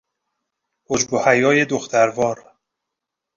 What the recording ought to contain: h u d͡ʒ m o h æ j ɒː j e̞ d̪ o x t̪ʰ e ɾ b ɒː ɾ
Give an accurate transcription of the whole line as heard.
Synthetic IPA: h o d͡ʒ b o h æ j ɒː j e̞ d̪ o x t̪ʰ æ ɾ v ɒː ɾ